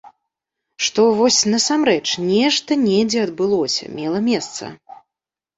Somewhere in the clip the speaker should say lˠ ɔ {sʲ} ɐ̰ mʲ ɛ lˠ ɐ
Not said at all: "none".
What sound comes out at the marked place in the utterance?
sʲ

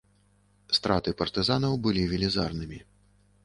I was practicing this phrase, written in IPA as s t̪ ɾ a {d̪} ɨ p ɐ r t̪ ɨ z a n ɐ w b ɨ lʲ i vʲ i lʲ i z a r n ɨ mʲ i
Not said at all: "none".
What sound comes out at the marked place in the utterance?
t̪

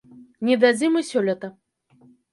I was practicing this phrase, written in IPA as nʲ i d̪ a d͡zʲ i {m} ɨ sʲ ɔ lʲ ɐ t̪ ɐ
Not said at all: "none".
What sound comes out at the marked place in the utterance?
m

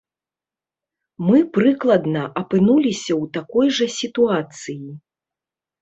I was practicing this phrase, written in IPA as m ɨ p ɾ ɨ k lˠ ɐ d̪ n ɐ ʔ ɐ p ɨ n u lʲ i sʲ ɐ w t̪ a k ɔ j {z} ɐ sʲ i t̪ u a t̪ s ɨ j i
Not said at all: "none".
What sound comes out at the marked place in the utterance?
ʐ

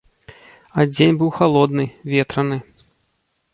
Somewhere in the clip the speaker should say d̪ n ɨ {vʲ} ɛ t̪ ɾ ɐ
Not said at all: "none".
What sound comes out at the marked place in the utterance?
vʲ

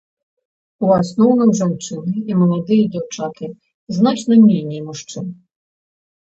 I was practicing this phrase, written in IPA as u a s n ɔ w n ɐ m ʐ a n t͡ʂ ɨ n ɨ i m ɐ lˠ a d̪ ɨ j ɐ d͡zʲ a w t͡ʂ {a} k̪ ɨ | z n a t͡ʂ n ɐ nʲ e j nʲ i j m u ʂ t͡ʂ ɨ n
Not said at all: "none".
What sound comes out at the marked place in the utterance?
a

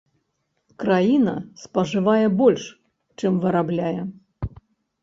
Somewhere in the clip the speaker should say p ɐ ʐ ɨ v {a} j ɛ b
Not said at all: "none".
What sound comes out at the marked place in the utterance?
a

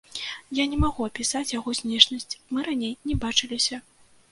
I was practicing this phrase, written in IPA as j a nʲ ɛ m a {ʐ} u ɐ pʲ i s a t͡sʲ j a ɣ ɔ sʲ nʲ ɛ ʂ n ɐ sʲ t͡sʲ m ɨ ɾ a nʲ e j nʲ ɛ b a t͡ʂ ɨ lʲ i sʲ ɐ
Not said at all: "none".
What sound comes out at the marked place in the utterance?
ɣ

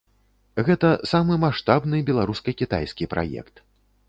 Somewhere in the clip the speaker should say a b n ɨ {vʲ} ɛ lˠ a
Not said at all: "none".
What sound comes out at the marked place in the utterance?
bʲ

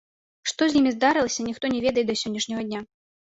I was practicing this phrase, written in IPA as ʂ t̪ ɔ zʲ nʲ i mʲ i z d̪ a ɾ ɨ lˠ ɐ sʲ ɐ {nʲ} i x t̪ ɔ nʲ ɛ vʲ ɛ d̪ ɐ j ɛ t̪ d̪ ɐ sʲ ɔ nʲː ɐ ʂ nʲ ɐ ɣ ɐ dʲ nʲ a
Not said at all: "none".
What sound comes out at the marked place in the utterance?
nʲ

